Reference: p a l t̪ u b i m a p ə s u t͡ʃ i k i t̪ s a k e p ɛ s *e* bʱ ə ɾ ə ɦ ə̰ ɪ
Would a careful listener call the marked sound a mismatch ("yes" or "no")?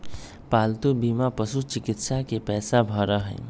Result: yes